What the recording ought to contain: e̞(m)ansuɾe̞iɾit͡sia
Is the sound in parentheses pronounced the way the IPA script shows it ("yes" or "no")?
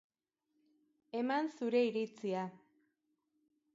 yes